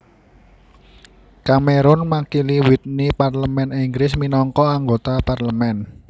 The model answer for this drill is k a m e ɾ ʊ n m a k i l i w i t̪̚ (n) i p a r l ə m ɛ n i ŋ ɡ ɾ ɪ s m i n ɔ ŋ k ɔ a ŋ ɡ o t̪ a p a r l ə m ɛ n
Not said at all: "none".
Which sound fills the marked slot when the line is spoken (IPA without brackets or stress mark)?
n